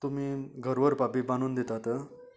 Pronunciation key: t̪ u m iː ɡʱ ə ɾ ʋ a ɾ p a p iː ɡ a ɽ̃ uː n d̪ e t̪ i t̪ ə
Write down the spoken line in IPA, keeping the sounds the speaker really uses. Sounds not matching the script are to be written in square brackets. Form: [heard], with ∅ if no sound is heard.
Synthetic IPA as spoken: t̪ u m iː ɡʱ ə ɾ ʋ [ə] ɾ p a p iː [b] a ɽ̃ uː n d̪ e t̪ [a] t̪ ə

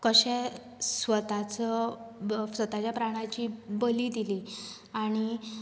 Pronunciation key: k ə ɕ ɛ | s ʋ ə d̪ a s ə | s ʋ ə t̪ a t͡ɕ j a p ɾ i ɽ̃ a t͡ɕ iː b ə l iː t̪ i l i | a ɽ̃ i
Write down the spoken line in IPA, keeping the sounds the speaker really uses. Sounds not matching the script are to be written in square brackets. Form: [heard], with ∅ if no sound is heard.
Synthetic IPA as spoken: k ə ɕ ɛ | s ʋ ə [t̪] a [t͡s] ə | s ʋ ə t̪ a t͡ɕ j a p ɾ [a] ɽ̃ a t͡ɕ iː b ə l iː [d̪] i l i | a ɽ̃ i

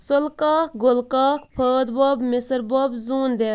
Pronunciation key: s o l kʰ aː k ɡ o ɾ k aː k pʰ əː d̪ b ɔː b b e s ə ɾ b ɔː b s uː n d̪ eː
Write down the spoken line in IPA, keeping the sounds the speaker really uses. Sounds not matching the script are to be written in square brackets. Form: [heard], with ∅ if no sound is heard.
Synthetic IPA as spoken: s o l [k] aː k ɡ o [l] k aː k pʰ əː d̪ b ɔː b [m] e s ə ɾ b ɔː b [z] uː n d̪ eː

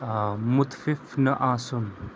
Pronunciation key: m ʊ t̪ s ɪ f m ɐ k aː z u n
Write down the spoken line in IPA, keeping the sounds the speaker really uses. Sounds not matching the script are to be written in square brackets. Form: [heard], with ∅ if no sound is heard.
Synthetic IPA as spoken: m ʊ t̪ [f] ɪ f [n] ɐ [ʔ] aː [s] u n

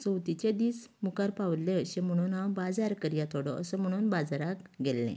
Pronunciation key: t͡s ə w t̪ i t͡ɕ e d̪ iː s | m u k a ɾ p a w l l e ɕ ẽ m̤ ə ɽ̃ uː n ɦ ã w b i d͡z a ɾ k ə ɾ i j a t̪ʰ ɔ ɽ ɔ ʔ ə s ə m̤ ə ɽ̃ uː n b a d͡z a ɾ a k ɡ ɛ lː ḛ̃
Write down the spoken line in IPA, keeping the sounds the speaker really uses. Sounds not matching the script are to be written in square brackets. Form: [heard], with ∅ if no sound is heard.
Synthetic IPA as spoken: t͡s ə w t̪ i t͡ɕ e d̪ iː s | m u k a ɾ p a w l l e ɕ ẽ m̤ ə ɽ̃ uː n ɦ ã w b [a] d͡z a ɾ k ə ɾ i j a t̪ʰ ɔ ɽ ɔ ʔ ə s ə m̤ ə ɽ̃ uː n b a d͡z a ɾ a k ɡ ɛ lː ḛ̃

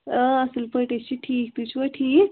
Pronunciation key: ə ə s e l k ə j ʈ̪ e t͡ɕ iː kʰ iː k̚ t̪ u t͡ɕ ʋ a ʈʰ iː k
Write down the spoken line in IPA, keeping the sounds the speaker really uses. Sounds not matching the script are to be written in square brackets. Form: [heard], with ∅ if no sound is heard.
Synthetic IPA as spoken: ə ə s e l [p] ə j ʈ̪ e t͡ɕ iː [ʈʰ] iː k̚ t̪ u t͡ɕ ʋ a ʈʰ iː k

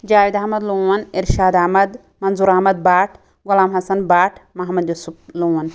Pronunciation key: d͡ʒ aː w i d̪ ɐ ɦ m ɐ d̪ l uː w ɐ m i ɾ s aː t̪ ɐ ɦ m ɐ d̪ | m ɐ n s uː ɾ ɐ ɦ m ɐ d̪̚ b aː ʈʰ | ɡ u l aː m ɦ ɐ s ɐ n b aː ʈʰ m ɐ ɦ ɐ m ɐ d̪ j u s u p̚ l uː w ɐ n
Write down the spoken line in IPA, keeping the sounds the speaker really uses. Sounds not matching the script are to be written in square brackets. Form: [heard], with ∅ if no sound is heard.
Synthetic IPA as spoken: d͡ʒ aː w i d̪ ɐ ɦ m ɐ d̪ l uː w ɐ [n] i ɾ [ʃ] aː [d̪] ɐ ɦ m ɐ d̪ | m ɐ n [z] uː ɾ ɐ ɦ m ɐ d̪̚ b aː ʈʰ | ɡ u l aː m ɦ ɐ s ɐ n b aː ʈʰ m ɐ ɦ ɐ m ɐ d̪ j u s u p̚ l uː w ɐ n

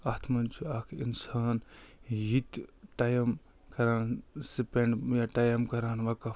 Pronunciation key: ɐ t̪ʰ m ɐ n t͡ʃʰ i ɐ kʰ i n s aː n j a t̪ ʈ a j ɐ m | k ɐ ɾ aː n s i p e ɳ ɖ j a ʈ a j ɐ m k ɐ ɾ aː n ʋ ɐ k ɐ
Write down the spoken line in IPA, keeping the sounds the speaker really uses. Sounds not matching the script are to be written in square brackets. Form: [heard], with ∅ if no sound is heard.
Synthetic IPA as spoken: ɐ t̪ʰ m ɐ n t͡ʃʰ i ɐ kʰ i n s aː n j [i] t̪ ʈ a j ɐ m | k ɐ ɾ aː n s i p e ɳ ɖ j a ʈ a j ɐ m k ɐ ɾ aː n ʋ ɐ k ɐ

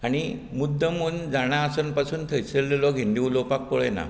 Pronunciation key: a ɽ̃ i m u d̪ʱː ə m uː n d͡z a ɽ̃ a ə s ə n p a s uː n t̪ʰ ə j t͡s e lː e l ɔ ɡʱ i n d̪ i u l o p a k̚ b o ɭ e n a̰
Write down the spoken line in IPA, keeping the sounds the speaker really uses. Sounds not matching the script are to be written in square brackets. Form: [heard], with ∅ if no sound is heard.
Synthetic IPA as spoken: a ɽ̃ i m u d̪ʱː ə m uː n d͡z a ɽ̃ a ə s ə n p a s uː n t̪ʰ ə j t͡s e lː e l ɔ ɡʱ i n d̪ i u l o p a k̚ [p] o ɭ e n a̰

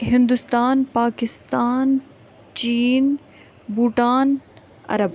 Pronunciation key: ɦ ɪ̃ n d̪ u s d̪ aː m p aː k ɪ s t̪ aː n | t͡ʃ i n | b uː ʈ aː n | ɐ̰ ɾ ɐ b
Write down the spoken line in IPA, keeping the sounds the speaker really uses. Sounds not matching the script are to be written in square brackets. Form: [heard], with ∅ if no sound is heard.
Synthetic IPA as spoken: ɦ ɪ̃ n d̪ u s [t̪] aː [n] p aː k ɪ s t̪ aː n | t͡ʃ [iː] n | b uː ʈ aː n | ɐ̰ ɾ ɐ b

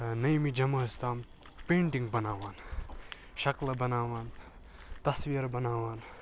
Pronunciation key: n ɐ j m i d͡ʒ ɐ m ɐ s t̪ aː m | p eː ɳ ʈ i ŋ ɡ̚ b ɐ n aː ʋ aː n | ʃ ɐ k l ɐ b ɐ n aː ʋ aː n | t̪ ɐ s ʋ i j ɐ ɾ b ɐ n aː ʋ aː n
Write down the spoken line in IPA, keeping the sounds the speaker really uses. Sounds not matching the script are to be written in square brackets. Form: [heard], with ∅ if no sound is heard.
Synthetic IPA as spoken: n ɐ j m i d͡ʒ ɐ m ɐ s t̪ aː m | p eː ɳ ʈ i ŋ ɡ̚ b ɐ n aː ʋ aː n | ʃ ɐ k l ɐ b ɐ n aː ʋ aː n | t̪ ɐ s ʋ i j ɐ ɾ b ɐ n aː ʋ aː n

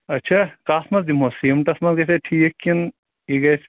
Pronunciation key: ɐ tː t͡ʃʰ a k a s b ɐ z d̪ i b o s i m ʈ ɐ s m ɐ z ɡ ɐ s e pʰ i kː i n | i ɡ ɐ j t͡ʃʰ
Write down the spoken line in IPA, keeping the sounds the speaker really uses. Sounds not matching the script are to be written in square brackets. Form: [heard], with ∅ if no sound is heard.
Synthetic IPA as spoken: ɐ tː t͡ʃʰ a k a s [m] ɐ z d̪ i [m] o s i m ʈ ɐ s m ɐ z ɡ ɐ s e [ʈʰ] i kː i n | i ɡ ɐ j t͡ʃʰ

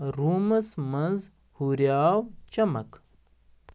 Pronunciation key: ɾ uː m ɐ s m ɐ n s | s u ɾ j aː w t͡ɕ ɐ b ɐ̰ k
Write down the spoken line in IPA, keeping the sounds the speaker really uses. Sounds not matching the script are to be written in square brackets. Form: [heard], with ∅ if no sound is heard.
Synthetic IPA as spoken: ɾ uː m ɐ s m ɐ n [z] | [h] u ɾ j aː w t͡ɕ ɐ [m] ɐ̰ k

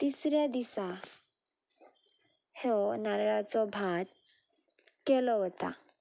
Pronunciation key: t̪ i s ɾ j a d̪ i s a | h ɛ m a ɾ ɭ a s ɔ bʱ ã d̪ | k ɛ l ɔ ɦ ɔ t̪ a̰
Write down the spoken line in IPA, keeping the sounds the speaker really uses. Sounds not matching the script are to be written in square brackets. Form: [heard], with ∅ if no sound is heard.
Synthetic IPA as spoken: t̪ i s ɾ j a d̪ i s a | h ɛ [n] a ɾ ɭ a [t͡s] ɔ bʱ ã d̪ | k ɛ l ɔ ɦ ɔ t̪ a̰

